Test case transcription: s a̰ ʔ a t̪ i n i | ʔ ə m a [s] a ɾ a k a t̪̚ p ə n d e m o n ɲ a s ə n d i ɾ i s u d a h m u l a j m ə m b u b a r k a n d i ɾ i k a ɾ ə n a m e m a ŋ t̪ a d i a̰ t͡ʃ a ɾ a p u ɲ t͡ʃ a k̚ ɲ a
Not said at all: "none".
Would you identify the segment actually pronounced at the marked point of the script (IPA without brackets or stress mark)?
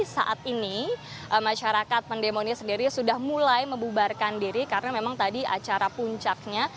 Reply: ʃ